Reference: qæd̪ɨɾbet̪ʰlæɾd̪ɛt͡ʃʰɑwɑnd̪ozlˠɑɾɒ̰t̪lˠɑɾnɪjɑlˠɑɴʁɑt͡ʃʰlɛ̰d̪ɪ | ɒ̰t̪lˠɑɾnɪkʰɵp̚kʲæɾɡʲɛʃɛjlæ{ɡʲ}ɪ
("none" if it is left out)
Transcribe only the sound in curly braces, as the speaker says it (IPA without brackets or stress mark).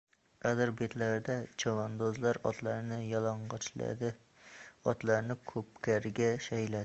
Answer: none